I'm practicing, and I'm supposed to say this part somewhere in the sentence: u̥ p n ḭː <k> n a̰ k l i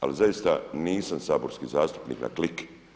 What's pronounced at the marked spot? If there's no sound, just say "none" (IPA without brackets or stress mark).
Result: k